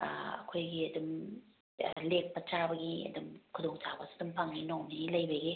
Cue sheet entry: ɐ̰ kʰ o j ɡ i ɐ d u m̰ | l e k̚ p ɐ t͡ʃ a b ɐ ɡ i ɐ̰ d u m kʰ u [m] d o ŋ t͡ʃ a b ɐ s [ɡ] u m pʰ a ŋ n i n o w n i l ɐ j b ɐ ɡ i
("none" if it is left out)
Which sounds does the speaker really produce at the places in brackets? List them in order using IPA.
none, d

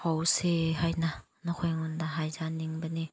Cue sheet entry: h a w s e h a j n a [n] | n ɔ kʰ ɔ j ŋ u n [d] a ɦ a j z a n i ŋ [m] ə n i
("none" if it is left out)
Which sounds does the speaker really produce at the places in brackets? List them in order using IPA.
none, d, b

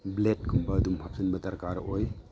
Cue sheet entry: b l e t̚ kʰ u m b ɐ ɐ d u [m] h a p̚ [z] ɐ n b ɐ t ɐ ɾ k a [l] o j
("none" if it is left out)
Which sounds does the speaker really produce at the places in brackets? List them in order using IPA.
m, s, ɾ

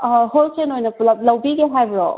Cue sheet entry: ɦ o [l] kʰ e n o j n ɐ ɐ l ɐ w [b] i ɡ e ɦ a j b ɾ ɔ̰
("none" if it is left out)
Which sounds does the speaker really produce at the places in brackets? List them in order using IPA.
l, b

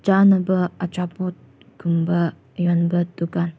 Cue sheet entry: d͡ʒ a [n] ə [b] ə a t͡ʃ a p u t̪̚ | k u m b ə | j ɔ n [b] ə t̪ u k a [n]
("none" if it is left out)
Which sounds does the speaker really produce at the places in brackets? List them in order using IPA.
n, b, b, n

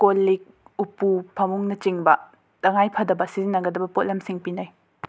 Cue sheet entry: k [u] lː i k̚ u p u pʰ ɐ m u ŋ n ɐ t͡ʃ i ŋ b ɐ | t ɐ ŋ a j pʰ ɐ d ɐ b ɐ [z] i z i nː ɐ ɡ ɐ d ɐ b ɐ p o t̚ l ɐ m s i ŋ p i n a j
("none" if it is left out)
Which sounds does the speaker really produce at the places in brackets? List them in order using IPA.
o, s

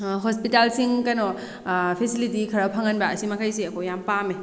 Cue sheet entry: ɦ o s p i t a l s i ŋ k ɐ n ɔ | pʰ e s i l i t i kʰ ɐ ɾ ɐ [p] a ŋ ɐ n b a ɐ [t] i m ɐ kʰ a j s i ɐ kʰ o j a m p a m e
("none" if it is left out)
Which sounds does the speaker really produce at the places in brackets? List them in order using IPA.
pʰ, s

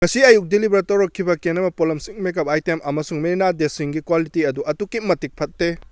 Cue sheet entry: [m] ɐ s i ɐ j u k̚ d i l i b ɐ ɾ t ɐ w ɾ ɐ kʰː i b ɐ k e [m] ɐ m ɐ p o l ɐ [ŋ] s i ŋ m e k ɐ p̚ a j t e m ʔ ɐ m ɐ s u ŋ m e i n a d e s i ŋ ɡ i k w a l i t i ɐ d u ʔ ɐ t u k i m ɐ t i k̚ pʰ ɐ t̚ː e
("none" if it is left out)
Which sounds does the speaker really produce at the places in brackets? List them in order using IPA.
ŋ, n, m

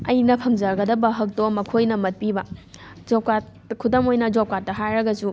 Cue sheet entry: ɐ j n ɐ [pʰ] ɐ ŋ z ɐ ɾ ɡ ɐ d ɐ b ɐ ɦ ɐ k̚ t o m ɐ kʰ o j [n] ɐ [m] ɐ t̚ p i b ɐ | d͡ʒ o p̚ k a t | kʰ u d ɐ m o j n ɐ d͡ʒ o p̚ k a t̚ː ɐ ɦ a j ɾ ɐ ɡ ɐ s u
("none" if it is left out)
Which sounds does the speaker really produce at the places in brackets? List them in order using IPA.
pʰ, n, m

